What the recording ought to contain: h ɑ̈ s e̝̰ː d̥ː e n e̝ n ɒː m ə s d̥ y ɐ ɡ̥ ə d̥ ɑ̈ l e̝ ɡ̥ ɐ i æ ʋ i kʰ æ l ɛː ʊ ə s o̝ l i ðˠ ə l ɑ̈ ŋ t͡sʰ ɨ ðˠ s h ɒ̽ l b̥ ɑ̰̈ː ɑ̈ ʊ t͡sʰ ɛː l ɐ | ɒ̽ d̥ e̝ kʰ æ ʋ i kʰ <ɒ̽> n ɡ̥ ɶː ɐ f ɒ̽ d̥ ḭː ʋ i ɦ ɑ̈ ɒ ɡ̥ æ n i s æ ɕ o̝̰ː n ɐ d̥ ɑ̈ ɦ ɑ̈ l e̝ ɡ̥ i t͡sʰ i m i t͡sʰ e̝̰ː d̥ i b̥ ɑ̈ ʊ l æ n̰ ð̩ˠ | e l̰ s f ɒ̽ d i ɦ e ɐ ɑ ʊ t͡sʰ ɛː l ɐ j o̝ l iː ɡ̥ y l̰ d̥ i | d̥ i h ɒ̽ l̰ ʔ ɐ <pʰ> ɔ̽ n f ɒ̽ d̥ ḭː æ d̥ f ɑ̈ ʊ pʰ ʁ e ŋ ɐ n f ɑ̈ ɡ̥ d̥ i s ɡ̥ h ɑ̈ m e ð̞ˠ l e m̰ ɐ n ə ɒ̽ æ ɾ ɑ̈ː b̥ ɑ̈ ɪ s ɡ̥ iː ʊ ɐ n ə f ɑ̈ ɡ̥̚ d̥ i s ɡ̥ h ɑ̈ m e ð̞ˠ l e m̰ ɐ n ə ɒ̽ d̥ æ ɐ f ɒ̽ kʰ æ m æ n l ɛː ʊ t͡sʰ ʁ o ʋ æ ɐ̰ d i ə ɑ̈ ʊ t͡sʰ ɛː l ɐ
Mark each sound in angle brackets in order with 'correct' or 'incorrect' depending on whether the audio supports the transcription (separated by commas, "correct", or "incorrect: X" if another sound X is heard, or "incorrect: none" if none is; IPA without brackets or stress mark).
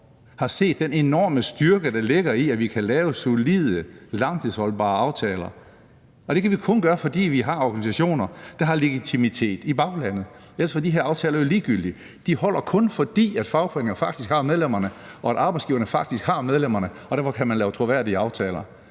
incorrect: ɔ̽, incorrect: kʰ